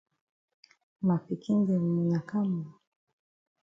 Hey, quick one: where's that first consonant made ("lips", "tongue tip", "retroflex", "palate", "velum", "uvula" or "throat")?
lips